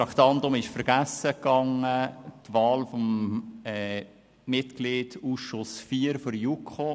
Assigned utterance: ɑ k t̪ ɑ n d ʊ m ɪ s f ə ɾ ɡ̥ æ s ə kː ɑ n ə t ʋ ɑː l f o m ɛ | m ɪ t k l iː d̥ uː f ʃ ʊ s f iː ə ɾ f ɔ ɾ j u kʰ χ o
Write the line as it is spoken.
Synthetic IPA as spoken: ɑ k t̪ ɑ n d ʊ m ɪ ʃ f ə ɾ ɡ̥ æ s ə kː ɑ ŋ ə t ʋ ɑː l f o m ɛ | m ɪ t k l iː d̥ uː s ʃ ʊ s f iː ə ɾ f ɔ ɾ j u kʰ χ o